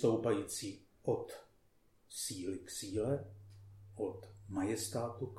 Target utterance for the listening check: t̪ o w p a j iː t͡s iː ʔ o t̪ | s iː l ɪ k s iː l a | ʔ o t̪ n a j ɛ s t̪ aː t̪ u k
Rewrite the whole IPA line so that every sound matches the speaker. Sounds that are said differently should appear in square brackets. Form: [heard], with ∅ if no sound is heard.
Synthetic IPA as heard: t̪ o w p a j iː t͡s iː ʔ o t̪ | s iː l ɪ k s iː l [ɛ] | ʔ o t̪ [m] a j ɛ s t̪ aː t̪ u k